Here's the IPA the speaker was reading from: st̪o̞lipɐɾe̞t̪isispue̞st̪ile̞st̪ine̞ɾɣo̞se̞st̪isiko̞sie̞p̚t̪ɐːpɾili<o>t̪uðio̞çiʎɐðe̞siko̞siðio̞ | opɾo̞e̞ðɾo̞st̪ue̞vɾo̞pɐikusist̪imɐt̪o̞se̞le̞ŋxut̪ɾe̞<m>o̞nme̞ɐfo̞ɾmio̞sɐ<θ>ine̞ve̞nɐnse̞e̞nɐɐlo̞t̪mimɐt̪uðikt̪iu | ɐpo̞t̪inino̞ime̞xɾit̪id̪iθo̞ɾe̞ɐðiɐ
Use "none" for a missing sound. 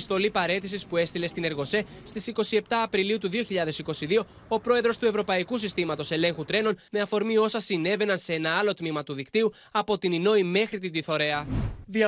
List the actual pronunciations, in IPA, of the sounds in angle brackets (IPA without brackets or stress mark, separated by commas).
u, n, s